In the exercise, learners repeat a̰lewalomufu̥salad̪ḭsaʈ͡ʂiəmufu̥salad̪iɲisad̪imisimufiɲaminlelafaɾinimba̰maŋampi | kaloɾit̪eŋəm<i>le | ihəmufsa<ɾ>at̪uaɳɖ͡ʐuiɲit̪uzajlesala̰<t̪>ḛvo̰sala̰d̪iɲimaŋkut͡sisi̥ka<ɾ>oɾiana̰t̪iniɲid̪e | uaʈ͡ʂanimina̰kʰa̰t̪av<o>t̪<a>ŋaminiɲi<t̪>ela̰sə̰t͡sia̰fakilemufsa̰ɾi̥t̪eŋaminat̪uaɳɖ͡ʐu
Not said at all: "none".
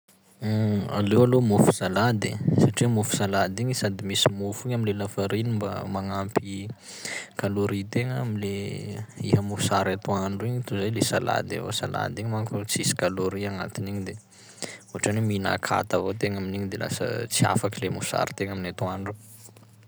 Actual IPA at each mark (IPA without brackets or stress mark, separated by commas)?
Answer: i, ɾ, d̪, l, o, e, d̪